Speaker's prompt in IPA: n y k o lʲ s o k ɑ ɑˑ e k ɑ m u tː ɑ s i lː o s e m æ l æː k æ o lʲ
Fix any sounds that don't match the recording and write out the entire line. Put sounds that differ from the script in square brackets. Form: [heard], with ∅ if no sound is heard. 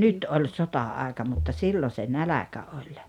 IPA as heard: n y [t] o lʲ s o [t] ɑ ɑˑ e k ɑ m u tː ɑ s i lː o s e [n] æ l [æ] k æ o lʲ

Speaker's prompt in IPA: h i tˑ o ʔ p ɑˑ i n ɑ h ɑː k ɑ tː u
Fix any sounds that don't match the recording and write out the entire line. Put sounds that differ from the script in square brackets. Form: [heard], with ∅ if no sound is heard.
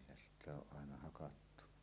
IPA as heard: [s] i tˑ o ʔ [ʔ] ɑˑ [e] n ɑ h [ɑ] k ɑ tː u

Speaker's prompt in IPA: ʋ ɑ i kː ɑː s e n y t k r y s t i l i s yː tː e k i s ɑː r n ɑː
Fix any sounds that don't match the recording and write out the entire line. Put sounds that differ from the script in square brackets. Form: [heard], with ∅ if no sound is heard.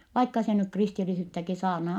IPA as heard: ʋ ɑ i kː [ɑ] s e n y [k] k r [i] s t i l i s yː tː [æ] k i s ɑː r n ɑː

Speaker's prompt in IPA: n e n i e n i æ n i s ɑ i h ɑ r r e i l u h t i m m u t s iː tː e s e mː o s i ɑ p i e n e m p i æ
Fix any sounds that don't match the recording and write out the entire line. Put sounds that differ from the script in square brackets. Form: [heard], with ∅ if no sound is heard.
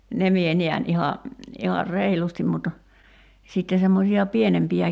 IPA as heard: n e [m] i e n i æ n i [h] ɑ i h ɑ r r e i l u [s] t i m m u t s [i] tː e s e mː o s i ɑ p i e n e m p i æ

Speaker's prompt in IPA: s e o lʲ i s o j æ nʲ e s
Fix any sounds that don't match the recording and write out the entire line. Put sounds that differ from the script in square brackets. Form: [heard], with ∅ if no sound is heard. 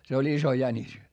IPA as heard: s e o lʲ i s o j æ nʲ [i] s

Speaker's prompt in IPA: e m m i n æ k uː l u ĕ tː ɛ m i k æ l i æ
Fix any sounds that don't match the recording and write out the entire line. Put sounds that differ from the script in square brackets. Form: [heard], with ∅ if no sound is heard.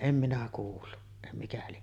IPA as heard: e m m i n æ k uː [lː] u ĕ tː [æ] m i k æ l i [e]

